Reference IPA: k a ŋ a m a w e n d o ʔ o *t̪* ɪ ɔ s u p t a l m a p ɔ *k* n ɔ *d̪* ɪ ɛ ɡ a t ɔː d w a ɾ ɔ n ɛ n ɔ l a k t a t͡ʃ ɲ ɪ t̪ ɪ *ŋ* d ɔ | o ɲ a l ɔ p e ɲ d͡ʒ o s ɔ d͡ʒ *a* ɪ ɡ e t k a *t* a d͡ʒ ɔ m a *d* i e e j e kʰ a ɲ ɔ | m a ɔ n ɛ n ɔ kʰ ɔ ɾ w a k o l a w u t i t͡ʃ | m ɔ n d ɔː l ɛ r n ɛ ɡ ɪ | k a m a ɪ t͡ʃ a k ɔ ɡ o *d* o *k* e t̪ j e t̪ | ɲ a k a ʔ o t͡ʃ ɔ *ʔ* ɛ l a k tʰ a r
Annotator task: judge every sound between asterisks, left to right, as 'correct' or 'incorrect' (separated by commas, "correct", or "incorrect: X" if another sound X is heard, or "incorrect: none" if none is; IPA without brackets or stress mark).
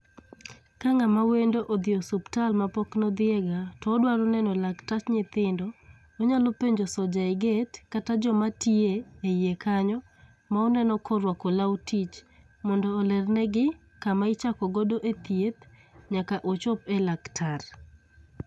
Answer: incorrect: d̪, correct, correct, incorrect: n, correct, correct, incorrect: t, correct, incorrect: ʔ, incorrect: p